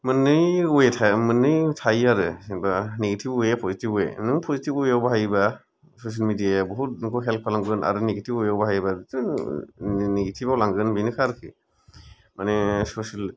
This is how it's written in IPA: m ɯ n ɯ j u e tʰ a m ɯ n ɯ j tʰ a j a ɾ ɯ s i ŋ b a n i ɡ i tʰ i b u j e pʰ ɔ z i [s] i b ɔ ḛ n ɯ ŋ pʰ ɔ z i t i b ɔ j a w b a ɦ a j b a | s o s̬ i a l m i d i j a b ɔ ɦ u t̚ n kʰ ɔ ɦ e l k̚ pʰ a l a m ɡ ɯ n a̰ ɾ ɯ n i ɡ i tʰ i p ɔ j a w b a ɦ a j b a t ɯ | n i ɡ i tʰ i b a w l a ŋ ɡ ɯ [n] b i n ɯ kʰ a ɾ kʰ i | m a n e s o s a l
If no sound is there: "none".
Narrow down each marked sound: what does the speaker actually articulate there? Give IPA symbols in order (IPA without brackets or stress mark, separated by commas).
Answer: t, n